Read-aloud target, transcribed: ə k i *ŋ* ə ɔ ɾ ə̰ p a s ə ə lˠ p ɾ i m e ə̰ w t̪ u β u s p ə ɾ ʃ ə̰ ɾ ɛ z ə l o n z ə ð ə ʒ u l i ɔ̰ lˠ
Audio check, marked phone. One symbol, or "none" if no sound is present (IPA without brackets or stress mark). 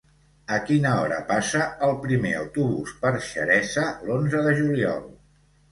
n